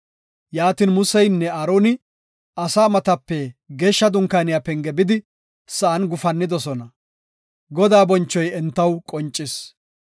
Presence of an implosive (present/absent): absent